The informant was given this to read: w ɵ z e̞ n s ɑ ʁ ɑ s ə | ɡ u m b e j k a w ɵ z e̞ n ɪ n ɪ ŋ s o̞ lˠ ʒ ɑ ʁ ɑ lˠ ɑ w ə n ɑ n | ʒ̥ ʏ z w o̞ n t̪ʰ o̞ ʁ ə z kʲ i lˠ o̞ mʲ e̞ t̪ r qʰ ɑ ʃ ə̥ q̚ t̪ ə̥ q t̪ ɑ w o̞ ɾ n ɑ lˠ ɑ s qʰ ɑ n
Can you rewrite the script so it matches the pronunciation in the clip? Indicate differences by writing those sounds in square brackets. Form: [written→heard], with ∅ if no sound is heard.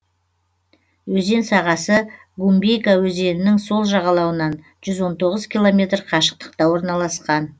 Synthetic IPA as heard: w ɵ z e̞ n s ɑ ʁ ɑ s ə | ɡ u m b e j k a w ɵ z e̞ n ɪ n ɪ ŋ s o̞ lˠ ʒ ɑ ʁ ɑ lˠ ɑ w ə n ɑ n | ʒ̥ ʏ z w o̞ n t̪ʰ o̞ ʁ ə z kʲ i lˠ o̞ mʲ e̞ t̪ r qʰ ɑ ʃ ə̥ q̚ t̪ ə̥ q t̪ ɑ w o̞ ɾ n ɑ lˠ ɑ s [qʰ→q] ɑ n